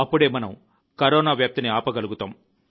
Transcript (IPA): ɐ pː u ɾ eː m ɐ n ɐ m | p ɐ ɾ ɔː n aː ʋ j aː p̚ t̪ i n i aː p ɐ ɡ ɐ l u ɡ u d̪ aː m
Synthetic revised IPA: ɐ pː u ɽ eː m ɐ n ɐ m | k ɐ ɾ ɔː n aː ʋ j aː p̚ t̪ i n i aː p ɐ ɡ ɐ l u ɡ u t̪ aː m